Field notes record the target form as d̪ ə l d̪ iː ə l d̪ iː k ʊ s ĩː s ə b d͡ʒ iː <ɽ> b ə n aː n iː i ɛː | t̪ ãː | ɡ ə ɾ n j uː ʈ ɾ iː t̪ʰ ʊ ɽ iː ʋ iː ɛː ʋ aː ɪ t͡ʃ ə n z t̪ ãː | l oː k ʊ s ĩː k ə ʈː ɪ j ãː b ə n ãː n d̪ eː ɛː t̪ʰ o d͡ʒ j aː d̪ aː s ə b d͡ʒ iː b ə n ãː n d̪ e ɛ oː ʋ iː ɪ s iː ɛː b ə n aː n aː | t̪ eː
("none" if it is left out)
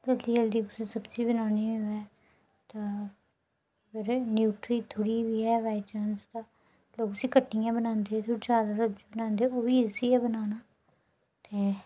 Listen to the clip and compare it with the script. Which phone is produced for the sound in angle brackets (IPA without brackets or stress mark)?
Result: none